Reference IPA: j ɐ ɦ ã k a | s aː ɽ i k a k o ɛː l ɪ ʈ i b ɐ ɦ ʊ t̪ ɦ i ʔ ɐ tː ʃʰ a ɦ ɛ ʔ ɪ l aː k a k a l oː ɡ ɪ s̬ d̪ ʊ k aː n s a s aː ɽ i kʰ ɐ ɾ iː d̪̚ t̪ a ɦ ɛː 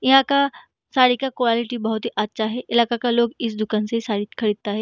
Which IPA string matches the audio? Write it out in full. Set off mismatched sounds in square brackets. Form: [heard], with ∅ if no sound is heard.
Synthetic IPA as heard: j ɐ ɦ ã k a | s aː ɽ i k a k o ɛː l ɪ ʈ i b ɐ ɦ ʊ t̪ ɦ i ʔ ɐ tː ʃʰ a ɦ ɛ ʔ ɪ l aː k a k a l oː ɡ ɪ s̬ d̪ ʊ k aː n s [e] s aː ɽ i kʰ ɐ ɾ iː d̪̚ t̪ a ɦ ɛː